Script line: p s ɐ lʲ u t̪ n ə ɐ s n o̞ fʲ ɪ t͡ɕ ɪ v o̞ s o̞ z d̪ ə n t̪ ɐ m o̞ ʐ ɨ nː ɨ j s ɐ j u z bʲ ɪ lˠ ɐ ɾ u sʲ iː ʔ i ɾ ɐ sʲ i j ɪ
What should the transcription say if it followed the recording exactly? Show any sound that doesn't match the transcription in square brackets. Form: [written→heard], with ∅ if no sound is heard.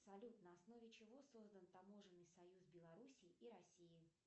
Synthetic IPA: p s ɐ lʲ u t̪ n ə ɐ s n o̞ [fʲ→vʲ] ɪ t͡ɕ ɪ v o̞ s o̞ z d̪ ə n t̪ ɐ m o̞ ʐ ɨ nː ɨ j s ɐ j u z bʲ ɪ lˠ ɐ ɾ u sʲ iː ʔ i ɾ ɐ sʲ i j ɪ